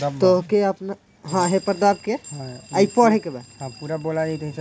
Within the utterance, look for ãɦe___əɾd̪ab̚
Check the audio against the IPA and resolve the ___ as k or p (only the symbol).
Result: p